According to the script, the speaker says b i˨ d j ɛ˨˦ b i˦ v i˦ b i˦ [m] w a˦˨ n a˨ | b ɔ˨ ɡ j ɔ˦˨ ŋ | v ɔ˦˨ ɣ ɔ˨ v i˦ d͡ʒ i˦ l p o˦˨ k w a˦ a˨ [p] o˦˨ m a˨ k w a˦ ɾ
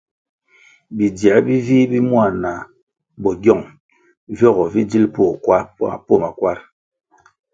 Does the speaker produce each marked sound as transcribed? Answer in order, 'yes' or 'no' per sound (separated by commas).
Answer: yes, yes